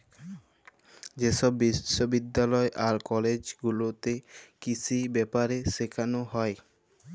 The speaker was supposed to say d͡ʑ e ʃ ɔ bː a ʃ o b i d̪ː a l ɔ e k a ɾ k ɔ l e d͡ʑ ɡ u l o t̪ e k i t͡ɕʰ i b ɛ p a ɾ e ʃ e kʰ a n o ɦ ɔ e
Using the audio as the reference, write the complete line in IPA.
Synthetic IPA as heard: d͡ʑ e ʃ ɔ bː i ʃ o b i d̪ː a l ɔ e ʔ a ɾ k ɔ l e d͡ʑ ɡ u l o t̪ e k i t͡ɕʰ i b ɛ p a ɾ e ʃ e kʰ a n o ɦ ɔ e